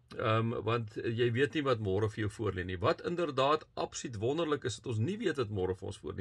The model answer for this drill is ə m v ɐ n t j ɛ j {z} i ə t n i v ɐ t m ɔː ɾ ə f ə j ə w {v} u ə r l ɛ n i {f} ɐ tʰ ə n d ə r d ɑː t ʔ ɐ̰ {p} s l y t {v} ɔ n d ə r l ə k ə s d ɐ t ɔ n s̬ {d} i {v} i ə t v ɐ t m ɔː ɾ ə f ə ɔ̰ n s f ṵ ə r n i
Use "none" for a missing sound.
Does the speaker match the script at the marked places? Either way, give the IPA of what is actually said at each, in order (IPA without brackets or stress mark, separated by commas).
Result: v, f, v, p, v, n, v